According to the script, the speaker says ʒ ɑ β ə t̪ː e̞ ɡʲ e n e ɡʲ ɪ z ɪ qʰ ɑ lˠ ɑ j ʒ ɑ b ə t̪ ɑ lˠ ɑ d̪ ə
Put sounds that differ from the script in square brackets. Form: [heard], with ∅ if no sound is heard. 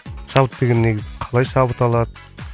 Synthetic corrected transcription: [ʃ] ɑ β ə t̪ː e̞ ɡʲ e [nː] e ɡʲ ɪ z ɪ qʰ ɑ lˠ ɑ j [ʃ] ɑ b ə t̪ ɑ lˠ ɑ d̪ ə